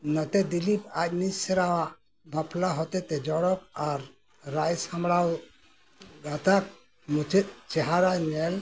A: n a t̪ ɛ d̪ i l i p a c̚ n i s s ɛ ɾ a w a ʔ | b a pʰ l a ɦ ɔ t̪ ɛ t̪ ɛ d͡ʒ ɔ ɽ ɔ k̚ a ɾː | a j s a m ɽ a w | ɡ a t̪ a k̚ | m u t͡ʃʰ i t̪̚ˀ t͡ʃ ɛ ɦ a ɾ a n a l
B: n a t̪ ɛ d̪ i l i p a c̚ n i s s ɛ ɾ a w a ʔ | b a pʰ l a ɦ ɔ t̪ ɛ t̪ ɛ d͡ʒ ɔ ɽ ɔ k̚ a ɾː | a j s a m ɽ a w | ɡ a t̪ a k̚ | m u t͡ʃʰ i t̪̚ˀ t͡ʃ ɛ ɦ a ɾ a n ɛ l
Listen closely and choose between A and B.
B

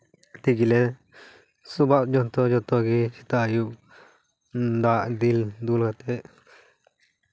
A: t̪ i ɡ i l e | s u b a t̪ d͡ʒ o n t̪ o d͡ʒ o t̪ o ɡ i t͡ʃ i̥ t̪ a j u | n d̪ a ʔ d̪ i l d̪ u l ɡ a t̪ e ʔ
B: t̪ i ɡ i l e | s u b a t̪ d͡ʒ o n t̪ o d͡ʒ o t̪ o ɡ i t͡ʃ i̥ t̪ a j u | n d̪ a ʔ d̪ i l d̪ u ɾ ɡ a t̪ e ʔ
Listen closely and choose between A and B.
A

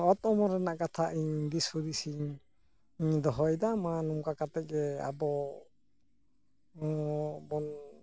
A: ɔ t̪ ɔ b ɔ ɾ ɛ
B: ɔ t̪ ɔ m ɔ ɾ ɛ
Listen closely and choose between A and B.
B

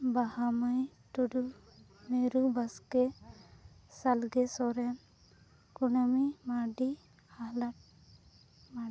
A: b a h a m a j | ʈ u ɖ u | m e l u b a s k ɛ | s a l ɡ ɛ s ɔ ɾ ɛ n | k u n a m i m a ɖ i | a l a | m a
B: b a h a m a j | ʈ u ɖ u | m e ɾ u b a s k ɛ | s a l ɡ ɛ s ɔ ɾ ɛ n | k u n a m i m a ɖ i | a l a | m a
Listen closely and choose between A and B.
B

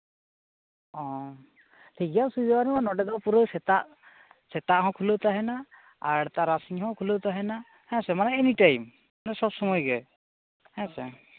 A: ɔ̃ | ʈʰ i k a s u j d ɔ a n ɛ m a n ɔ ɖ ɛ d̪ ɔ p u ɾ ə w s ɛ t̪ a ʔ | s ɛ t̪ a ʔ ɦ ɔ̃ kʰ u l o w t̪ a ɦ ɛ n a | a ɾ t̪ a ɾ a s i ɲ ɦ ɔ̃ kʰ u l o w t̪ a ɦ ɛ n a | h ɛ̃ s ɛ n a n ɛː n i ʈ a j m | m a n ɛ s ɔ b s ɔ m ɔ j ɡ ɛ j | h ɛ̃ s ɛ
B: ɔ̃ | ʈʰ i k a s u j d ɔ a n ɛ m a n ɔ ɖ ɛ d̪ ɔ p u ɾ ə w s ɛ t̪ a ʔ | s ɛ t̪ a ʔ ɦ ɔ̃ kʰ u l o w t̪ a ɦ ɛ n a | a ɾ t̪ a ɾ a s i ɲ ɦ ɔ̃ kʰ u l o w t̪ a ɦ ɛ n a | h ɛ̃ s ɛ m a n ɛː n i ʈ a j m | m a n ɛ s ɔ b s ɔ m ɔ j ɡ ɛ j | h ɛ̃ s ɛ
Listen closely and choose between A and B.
B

